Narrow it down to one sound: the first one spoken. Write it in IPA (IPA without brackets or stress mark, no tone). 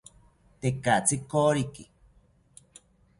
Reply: t̪